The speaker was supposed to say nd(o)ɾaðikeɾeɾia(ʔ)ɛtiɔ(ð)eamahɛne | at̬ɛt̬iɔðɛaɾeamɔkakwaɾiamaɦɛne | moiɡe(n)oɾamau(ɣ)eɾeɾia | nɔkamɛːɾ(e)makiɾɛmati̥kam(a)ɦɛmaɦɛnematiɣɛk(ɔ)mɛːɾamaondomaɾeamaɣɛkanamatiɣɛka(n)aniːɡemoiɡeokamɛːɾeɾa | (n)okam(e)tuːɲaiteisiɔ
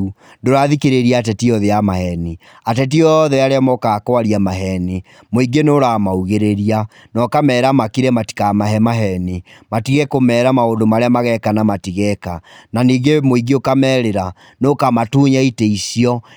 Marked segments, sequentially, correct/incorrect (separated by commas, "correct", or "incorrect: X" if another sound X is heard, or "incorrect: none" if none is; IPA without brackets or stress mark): correct, incorrect: t, correct, correct, correct, incorrect: a, correct, incorrect: o, correct, correct, incorrect: a